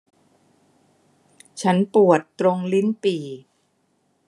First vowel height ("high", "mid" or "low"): low